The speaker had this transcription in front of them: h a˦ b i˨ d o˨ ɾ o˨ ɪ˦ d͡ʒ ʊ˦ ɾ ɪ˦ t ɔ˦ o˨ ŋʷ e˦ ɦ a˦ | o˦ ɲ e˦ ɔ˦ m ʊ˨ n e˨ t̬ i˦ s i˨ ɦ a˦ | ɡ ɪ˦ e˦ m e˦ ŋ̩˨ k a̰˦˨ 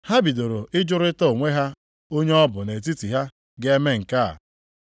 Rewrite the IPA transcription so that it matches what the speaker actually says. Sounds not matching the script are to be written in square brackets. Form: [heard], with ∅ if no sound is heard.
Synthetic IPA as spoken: h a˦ b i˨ d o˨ ɾ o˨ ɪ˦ d͡ʒ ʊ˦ ɾ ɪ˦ t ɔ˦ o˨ ŋʷ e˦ ɦ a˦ | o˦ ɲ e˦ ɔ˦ [b] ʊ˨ n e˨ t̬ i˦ [t] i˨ ɦ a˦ | ɡ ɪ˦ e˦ m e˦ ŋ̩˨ k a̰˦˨

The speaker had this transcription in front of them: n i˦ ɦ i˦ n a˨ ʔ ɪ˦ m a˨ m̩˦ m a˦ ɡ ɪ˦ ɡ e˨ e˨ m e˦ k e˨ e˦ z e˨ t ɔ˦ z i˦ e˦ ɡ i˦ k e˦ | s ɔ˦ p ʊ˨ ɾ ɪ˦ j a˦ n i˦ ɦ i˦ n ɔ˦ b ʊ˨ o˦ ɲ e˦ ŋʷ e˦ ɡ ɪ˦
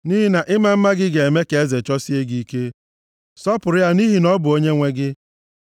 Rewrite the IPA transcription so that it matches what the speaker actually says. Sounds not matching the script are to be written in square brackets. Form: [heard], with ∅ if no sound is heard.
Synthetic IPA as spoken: n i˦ ɦ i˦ n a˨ ʔ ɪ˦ m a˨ m̩˦ m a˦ ɡ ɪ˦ ɡ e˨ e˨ m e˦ k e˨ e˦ z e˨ [t͡ʃ] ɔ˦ [s] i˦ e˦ ɡ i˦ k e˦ | s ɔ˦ p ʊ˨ ɾ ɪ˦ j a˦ n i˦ ɦ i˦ n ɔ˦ b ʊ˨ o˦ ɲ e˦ ŋʷ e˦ ɡ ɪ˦

